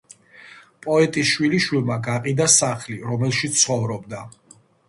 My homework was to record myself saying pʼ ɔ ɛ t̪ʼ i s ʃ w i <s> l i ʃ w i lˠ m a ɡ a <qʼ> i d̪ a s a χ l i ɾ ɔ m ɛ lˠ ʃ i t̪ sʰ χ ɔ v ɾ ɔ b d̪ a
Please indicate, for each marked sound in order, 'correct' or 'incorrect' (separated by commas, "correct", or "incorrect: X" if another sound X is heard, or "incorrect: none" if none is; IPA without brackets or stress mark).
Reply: incorrect: none, correct